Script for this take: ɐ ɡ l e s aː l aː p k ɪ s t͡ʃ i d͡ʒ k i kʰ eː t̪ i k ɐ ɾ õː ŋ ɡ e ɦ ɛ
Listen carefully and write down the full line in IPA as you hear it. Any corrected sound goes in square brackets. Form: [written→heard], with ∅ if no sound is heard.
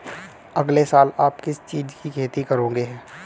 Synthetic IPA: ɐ ɡ l e s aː l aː p k ɪ s t͡ʃ [i→iː] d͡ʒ k i kʰ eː t̪ i k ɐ ɾ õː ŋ ɡ e ɦ [ɛ→ɛː]

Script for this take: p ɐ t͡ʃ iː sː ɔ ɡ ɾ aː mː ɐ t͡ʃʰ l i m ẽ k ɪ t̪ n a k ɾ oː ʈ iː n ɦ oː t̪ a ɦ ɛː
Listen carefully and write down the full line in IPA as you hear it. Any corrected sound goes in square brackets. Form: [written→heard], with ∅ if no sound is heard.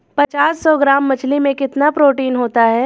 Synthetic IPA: p ɐ t͡ʃ [iː→aː] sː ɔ ɡ ɾ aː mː ɐ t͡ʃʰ l i m ẽ k ɪ t̪ n a [k→p] ɾ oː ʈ iː n ɦ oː t̪ a ɦ ɛː

